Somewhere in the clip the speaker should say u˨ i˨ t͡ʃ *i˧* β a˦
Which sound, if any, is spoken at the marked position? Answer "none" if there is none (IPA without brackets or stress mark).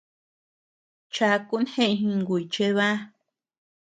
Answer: e˧